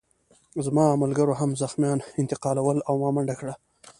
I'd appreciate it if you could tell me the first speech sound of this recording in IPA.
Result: z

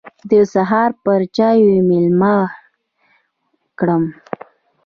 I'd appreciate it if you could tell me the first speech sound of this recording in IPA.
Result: d̪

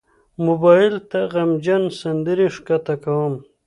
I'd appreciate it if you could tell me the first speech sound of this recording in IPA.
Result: m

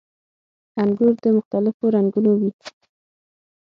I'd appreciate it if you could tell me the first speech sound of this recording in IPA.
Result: a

